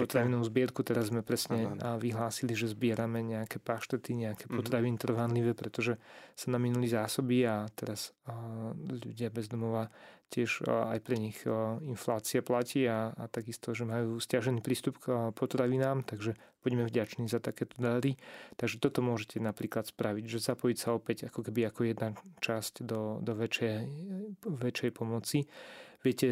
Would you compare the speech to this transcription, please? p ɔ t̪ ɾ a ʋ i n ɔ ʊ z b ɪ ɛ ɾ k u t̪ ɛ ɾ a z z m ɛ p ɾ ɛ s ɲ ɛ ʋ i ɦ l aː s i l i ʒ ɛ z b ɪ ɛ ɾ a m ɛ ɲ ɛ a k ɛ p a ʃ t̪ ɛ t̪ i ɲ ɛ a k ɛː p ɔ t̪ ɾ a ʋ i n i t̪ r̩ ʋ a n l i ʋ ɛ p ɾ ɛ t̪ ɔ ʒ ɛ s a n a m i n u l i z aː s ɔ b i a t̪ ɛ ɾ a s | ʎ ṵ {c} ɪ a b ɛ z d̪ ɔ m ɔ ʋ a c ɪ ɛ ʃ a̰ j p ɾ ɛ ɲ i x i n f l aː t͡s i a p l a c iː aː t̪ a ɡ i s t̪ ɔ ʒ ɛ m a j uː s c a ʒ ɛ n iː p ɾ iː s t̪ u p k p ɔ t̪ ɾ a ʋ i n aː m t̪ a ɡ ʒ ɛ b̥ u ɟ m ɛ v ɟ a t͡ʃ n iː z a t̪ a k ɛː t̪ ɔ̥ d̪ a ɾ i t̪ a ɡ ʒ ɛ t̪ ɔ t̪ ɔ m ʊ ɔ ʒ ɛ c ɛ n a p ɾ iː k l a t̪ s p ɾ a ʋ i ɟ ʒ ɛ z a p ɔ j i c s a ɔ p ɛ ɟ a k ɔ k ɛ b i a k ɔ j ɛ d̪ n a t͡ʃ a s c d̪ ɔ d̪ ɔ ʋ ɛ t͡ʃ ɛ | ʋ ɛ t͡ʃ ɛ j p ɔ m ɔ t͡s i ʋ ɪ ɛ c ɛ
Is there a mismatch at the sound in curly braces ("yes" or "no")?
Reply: yes